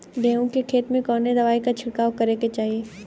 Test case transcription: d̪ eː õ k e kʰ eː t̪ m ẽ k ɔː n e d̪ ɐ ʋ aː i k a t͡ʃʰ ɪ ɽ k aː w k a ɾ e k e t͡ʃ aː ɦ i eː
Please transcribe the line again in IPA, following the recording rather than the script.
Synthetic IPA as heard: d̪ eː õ k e kʰ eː t̪ m ẽ k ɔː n e d̪ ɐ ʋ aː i k a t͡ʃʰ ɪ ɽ k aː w k ɐ ɾ e k e t͡ʃ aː ɦ i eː

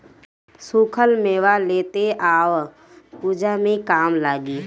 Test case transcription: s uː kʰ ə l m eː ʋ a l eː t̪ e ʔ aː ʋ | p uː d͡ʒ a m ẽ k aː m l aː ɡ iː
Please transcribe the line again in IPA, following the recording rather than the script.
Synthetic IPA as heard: s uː kʰ ə l m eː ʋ a l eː t̪ e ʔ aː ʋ | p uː d͡ʒ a m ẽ k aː m l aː ɡ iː

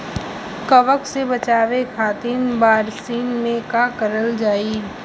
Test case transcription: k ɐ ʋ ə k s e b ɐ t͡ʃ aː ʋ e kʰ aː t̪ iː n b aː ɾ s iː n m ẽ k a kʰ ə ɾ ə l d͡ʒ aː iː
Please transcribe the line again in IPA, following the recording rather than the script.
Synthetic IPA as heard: k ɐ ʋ ə k s e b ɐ t͡ʃ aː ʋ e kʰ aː t̪ iː n b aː ɾ s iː n m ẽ k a k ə ɾ ə l d͡ʒ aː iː

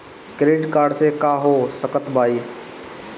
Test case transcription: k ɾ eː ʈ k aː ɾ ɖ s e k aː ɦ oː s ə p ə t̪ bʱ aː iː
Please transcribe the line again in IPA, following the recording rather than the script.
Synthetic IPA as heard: k ɾ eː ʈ k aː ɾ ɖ s e k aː ɦ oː s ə k ə t̪ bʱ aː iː

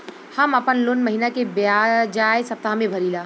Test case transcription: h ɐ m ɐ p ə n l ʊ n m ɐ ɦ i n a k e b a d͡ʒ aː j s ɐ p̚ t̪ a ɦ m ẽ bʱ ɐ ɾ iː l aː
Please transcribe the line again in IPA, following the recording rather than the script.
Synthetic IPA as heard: h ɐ m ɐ p ə n l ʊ n m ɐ ɦ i n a k e b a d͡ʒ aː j s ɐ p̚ t̪ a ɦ m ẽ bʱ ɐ ɾ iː l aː

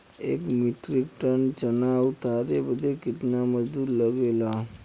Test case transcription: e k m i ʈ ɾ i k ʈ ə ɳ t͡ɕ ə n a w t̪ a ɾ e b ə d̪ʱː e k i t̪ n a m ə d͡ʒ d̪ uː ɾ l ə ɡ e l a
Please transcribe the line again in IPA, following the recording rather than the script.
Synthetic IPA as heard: e k m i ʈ ɾ i k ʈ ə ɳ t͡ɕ ə n a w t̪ a ɾ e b ə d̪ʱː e k i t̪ n a m ə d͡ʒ d̪ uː ɾ l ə ɡ e l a

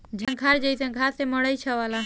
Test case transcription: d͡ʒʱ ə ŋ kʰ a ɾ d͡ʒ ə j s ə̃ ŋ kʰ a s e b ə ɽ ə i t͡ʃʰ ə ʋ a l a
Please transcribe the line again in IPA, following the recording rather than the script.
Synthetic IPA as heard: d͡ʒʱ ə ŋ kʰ a ɾ d͡ʒ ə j s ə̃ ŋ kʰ a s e m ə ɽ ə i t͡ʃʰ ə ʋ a l a

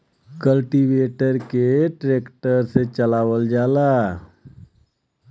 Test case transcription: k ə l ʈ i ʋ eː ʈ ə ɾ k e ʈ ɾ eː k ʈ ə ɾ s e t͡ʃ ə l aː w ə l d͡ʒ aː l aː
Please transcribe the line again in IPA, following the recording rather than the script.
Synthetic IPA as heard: k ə l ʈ i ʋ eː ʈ ə ɾ k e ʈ ɾ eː k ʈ ə ɾ s e t͡ʃ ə l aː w ə l d͡ʒ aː l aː

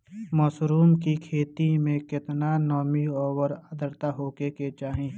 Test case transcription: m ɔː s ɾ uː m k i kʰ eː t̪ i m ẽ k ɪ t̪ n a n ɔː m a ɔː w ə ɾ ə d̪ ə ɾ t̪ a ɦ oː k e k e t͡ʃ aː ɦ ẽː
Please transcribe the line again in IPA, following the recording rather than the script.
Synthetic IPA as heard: m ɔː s ɾ uː m k i kʰ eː t̪ i m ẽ k ɪ t̪ n a n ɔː m i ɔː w ə ɾ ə d̪ ə ɾ t̪ a ɦ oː k e k e t͡ʃ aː ɦ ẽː

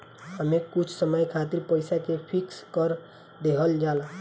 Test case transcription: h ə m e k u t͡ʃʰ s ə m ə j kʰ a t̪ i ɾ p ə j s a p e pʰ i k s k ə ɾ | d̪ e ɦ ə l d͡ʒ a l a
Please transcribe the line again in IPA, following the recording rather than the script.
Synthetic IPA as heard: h ə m e k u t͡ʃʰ s ə m ə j kʰ a t̪ i ɾ p ə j s a k e pʰ i k s k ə ɾ | d̪ e ɦ ə l d͡ʒ a l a

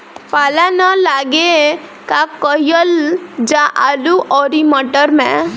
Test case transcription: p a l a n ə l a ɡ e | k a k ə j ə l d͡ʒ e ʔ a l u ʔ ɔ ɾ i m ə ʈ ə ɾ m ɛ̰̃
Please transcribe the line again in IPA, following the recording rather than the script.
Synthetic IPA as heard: p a l a n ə l a ɡ e | k a k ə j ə l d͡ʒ a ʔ a l u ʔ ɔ ɾ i m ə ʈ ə ɾ m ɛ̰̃

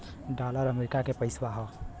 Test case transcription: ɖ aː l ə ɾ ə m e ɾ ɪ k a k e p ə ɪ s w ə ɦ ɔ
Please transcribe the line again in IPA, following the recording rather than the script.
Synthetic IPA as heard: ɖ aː l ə ɾ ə m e ɾ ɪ k a k e p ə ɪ s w a ɦ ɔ

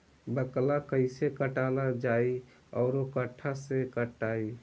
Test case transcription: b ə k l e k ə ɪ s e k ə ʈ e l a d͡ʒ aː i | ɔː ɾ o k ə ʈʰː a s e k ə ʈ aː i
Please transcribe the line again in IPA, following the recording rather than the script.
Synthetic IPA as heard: b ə k l a k ə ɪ s e k ə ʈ a l a d͡ʒ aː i | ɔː ɾ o k ə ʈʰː a s e k ə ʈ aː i

